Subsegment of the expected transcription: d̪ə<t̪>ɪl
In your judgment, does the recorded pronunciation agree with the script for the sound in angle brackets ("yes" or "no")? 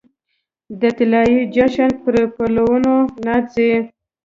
yes